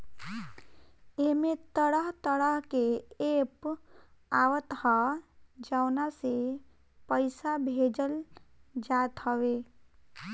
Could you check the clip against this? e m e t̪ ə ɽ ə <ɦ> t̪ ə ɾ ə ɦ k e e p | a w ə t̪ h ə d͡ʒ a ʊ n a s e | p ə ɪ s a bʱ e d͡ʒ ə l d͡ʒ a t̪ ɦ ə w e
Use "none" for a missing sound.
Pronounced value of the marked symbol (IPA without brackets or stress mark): ɦ